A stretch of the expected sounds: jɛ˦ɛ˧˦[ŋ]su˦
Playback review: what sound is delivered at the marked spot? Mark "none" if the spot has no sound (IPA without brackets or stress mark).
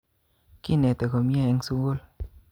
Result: ŋ